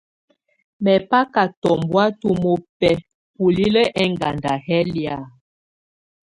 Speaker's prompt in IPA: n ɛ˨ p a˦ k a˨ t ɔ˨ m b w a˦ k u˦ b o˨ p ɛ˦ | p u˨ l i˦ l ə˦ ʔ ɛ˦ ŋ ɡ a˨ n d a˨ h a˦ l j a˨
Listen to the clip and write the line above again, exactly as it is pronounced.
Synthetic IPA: m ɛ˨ p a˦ k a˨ t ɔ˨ m b w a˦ t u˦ m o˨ p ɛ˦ | p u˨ l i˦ l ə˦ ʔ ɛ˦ ŋ ɡ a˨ n d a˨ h ɛ˦ l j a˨